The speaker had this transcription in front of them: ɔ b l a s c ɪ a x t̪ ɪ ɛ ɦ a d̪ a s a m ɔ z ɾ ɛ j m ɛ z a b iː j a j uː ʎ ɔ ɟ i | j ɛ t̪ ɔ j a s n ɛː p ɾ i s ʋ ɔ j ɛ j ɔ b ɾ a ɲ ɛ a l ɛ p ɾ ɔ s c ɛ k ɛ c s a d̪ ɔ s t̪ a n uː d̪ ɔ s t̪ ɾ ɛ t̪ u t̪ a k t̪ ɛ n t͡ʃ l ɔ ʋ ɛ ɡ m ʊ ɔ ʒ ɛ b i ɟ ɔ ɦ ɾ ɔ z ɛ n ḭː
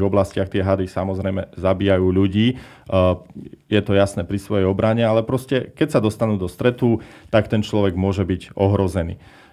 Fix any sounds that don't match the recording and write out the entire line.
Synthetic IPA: ɔ b l a s c ɪ a x t̪ ɪ ɛ ɦ a d̪ i s a m ɔ z ɾ ɛ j m ɛ z a b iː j a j uː ʎ u ɟ iː | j ɛ t̪ ɔ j a s n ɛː p ɾ i s ʋ ɔ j ɛ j ɔ b ɾ a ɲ ɛ a l ɛ p ɾ ɔ s c ɛ k ɛ c s a d̪ ɔ s t̪ a n uː d̪ ɔ s t̪ ɾ ɛ t̪ u t̪ a k t̪ ɛ n t͡ʃ l ɔ ʋ ɛ ɡ m ʊ ɔ ʒ ɛ b i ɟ ɔ ɦ ɾ ɔ z ɛ n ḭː